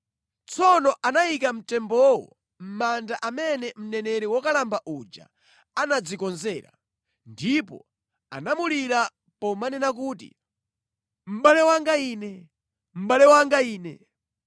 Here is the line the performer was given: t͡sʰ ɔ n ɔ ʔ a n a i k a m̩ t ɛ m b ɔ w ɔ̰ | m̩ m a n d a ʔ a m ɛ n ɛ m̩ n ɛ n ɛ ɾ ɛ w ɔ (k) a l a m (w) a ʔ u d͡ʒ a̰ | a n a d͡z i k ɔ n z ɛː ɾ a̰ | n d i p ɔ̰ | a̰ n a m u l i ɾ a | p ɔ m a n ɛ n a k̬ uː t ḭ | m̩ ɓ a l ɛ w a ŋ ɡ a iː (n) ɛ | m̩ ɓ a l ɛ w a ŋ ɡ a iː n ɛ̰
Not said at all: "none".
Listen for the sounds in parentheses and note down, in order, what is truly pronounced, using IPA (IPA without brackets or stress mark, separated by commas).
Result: k, b, n